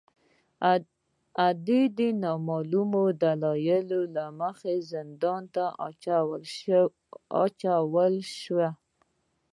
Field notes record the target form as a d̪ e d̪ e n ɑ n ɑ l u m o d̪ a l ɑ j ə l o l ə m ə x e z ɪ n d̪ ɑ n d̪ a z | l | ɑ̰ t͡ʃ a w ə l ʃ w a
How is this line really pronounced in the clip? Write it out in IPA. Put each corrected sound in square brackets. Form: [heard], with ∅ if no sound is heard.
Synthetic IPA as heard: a d̪ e d̪ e n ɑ [m] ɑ l u m o d̪ a l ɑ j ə l o l [a] m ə x e z ɪ n d̪ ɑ n [t̪] a [∅] | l | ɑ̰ t͡ʃ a w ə l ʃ w a